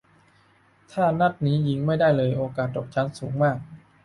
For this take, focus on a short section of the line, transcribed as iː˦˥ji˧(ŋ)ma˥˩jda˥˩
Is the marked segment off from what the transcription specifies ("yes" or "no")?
no